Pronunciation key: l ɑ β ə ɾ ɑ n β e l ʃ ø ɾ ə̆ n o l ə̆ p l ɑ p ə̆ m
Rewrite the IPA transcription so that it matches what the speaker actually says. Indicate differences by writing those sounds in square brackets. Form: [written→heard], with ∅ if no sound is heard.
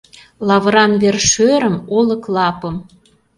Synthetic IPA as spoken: l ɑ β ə ɾ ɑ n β e [l→r] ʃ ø ɾ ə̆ [n→m] o l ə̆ [p→k] l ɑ p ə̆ m